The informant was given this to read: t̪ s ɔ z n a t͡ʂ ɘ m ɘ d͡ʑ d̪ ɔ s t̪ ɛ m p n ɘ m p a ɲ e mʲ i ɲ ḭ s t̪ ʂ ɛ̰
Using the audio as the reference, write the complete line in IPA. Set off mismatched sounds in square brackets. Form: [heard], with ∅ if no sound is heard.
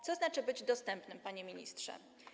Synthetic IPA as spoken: t̪ s ɔ z n a t͡ʂ ɘ [b] ɘ d͡ʑ d̪ ɔ s t̪ ɛ m p n ɘ m p a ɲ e mʲ i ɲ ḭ s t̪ ʂ ɛ̰